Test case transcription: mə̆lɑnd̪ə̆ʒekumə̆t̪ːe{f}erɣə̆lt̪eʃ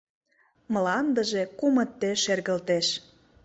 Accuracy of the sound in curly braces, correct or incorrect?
incorrect: ʃ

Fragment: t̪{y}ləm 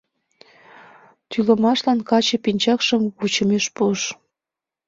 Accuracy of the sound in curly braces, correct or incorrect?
correct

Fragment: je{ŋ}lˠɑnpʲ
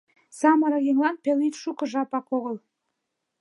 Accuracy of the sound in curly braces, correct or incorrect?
correct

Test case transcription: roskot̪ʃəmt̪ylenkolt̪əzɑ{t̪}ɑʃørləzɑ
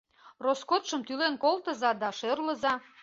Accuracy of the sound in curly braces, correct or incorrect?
incorrect: d̪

